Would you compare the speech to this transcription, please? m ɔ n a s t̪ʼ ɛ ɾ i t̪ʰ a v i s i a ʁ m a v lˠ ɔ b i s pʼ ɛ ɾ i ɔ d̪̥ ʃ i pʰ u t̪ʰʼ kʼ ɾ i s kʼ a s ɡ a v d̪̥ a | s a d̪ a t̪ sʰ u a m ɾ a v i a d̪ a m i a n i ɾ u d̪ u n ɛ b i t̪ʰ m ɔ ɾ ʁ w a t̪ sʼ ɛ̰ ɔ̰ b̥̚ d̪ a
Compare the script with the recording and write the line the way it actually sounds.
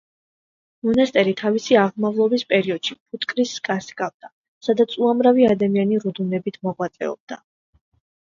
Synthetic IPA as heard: m ɔ n a s t̪ʼ ɛ ɾ i t̪ʰ a v i s i a ʁ m a v lˠ ɔ b i s pʼ ɛ ɾ i ɔ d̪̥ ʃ i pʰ u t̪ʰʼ kʼ ɾ i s kʼ a s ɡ a v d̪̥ a | s a d̪ a t̪ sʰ u a m ɾ a v i a d̪ a m i a n i ɾ u d̪ u n ɛ b i t̪ʰ m ɔ ʁ w a t̪ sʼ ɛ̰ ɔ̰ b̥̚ d̪ a

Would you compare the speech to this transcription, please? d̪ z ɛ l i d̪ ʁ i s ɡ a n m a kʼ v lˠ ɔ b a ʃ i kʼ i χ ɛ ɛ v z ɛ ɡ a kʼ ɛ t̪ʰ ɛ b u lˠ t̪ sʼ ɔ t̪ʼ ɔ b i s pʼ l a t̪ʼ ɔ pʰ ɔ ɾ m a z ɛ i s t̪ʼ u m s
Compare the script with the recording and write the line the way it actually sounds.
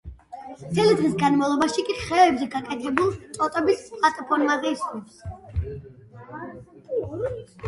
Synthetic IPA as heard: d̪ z ɛ l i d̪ ʁ i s ɡ a n m a v lˠ ɔ b a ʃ i kʼ i χ ɛ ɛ b z ɛ ɡ a kʼ ɛ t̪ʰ ɛ b u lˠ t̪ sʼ ɔ t̪ʼ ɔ b i s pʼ l a t̪ʼ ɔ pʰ ɔ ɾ m a z ɛ i s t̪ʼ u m s

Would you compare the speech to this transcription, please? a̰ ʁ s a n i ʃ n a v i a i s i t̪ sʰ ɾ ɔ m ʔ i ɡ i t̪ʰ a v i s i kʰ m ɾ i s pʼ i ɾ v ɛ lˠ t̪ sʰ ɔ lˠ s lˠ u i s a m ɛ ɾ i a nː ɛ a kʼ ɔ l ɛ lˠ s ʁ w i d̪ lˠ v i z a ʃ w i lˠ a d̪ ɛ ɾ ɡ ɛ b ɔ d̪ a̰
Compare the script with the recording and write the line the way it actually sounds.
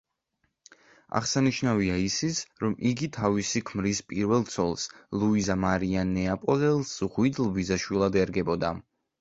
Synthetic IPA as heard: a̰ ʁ s a n i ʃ n a v i a i s i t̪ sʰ ɾ ɔ m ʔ i ɡ i t̪ʰ a v i s i kʰ m ɾ i s pʼ i ɾ v ɛ lˠ t̪ sʰ ɔ lˠ s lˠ u i z a m a ɾ i a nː ɛ a pʼ ɔ l ɛ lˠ s ʁ w i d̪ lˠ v i z a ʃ w i lˠ a d̪ ɛ ɾ ɡ ɛ b ɔ d̪ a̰

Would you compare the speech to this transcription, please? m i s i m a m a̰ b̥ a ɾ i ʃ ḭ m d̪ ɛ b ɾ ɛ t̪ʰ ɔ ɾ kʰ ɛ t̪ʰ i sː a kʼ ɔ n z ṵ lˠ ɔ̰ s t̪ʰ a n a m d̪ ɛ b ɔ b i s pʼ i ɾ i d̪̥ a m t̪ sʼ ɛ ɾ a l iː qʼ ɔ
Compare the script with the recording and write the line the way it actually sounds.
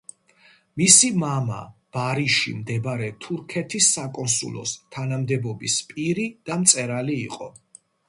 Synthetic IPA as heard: m i s i m a m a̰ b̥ a ɾ i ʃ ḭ m d̪ ɛ b ɾ ɛ t̪ʰ u ɾ kʰ ɛ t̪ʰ i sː a kʼ ɔ n s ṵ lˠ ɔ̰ s t̪ʰ a n a m d̪ ɛ b ɔ b i s pʼ i ɾ i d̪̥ a m t̪ sʼ ɛ ɾ a l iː qʼ ɔ

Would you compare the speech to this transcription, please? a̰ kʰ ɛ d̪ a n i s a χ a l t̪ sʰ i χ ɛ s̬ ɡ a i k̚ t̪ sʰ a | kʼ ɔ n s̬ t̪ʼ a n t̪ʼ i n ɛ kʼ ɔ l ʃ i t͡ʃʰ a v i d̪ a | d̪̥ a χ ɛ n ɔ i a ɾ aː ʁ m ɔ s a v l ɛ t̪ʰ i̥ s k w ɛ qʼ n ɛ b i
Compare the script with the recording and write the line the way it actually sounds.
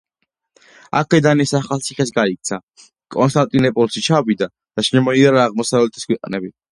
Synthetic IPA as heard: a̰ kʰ ɛ d̪ a n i s a χ a l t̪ sʰ i χ ɛ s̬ ɡ a i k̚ t̪ sʰ a | kʼ ɔ n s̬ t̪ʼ a n t̪ʼ i n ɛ pʼ ɔ l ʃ i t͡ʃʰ a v i d̪ a | d̪̥ a ʃ ɛ m ɔ i a ɾ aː ʁ m ɔ s a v l ɛ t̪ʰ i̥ s k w ɛ qʼ n ɛ b i

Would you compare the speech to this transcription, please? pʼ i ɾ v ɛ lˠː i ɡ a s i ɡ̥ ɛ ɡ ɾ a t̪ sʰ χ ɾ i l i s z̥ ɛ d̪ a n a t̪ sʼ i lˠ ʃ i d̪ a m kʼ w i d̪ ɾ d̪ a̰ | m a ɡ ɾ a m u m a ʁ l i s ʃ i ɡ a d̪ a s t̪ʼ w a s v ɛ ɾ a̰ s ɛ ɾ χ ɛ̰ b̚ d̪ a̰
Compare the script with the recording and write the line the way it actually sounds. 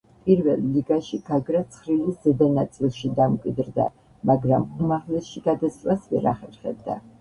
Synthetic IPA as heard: pʼ i ɾ v ɛ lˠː i ɡ a ʃ i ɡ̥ a ɡ ɾ a t̪ sʰ χ ɾ i l i s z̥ ɛ d̪ a n a t̪ sʼ i lˠ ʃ i d̪ a m kʼ w i d̪ ɾ d̪ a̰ | m a ɡ ɾ a m u m a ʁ l ɛ s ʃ i ɡ a d̪ a s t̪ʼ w a s v ɛ ɾ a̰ χ ɛ ɾ χ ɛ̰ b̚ d̪ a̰

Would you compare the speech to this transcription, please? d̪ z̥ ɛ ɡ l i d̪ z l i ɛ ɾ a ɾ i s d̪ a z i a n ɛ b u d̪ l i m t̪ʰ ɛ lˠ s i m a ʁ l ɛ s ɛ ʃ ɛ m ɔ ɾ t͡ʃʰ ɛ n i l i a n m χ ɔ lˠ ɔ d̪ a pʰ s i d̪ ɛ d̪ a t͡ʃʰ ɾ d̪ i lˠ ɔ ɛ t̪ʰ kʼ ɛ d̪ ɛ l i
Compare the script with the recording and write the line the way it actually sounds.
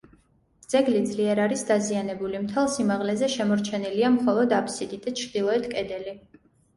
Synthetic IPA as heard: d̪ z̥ ɛ ɡ l i d̪ z l i ɛ ɾ a ɾ i s d̪ a z i a n ɛ b u l i m t̪ʰ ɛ lˠ s i m a ʁ l ɛ z ɛ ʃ ɛ m ɔ ɾ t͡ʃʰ ɛ n i l i a m χ ɔ lˠ ɔ d̪ a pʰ s i d̪ i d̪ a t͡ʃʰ ɾ d̪ i lˠ ɔ ɛ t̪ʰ kʼ ɛ d̪ ɛ l i

